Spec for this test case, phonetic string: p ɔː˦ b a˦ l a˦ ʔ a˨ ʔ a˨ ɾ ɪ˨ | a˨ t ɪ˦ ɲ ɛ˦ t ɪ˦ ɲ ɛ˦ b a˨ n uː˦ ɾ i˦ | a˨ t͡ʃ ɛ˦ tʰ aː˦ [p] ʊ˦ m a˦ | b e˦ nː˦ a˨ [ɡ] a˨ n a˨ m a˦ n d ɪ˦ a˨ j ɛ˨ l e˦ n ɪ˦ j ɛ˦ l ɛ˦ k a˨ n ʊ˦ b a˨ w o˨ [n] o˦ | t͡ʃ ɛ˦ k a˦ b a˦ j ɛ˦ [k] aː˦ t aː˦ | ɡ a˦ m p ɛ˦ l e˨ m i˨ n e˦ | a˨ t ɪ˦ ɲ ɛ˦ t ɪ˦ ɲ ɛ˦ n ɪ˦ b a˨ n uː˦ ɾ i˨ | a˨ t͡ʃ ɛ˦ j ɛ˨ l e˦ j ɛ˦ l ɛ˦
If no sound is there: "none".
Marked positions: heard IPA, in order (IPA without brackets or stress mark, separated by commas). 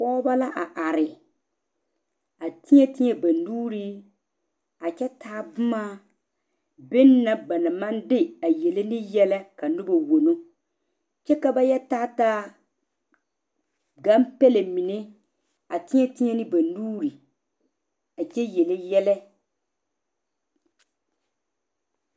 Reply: b, b, n, t